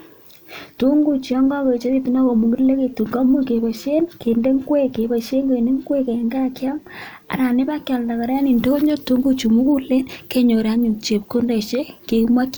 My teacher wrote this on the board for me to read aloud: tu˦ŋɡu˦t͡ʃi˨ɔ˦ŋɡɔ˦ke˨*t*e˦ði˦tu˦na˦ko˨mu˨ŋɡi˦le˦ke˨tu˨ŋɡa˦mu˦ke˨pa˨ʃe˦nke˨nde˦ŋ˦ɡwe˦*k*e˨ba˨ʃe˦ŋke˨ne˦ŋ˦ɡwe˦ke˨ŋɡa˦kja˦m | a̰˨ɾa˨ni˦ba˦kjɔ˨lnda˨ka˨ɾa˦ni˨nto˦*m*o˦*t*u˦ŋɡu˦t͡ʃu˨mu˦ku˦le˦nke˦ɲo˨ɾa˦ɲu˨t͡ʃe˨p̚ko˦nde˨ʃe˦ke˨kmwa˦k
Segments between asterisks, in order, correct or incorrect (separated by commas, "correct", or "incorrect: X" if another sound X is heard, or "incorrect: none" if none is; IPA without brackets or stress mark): incorrect: t͡ʃ, correct, incorrect: ɲ, correct